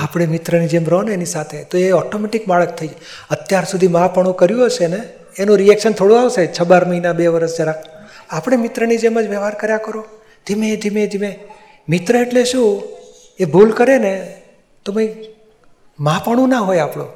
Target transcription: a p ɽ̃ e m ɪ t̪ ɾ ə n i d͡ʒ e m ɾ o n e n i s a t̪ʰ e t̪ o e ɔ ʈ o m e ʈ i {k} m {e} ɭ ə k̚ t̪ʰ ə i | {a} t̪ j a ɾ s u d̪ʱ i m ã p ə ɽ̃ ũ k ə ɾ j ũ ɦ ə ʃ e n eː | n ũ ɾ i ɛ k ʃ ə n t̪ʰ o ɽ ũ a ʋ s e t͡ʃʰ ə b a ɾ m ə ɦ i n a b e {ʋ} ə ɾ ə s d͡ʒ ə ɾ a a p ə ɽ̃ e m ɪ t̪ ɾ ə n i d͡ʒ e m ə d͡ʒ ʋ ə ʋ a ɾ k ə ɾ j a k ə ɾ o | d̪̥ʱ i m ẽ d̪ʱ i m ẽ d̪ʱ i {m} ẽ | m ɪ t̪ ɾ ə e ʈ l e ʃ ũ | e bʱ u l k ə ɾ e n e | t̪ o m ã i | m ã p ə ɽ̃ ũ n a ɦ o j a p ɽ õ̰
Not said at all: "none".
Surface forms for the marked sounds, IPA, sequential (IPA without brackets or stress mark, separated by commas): k, a, ə, ʋ, m